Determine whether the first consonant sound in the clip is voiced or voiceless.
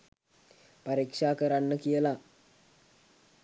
voiceless